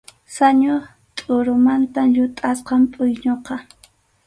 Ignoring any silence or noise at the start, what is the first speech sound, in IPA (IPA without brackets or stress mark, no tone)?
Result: s